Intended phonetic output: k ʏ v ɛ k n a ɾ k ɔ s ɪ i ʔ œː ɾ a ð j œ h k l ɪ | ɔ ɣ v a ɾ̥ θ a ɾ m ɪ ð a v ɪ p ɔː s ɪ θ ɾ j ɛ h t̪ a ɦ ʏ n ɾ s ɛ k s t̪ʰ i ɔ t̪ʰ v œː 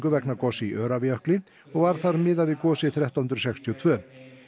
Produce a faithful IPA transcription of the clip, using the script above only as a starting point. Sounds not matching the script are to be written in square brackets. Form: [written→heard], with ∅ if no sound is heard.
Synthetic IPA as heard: k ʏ v ɛ k n a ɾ k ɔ s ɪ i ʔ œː ɾ a [ð→v] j œ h k l ɪ | ɔ ɣ v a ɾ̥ θ a ɾ m ɪ ð a v ɪ [p→k] ɔː s ɪ θ ɾ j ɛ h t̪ a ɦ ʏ n ɾ s ɛ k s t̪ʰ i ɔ t̪ʰ v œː